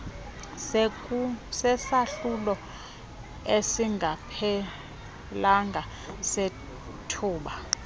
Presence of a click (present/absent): absent